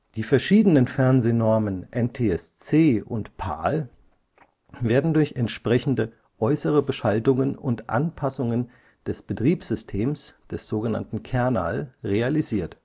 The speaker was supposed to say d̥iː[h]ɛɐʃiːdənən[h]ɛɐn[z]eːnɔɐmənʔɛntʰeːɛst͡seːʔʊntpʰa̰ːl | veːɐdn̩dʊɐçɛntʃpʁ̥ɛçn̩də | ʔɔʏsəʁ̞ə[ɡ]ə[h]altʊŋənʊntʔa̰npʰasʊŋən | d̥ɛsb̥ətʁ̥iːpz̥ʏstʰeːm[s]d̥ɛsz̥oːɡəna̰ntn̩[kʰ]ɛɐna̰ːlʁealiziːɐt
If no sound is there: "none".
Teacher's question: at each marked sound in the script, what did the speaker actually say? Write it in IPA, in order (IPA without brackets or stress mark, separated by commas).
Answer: f, f, z, b, ʃ, s, kʰ